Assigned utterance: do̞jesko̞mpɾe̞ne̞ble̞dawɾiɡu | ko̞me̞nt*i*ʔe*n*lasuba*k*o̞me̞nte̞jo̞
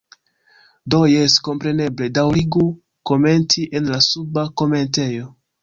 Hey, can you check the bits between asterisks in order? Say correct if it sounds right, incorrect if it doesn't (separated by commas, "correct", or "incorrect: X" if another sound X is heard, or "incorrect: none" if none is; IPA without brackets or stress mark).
correct, correct, correct